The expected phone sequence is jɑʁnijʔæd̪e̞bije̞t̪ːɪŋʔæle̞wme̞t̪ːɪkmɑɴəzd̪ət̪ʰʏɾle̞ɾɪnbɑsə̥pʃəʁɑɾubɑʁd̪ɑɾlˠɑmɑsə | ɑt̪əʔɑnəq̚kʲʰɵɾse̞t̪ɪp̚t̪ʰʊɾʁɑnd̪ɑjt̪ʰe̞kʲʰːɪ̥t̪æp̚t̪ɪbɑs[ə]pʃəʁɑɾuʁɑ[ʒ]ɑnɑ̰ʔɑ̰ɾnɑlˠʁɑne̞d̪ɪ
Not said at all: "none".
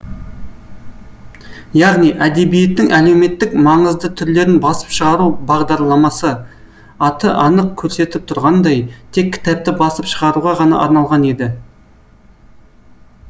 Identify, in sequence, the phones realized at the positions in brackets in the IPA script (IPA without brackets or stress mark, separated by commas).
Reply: ə, ʁ